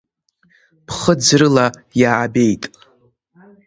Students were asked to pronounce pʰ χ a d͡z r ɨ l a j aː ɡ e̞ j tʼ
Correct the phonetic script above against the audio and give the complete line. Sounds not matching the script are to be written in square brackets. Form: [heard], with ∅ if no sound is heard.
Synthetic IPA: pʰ χ [ə] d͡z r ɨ l a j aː [b] e̞ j tʼ